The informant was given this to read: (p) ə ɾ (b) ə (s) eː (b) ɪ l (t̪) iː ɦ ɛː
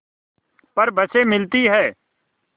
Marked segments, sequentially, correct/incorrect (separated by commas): correct, correct, correct, incorrect, correct